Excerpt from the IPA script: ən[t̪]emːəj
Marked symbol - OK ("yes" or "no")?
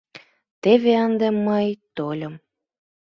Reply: no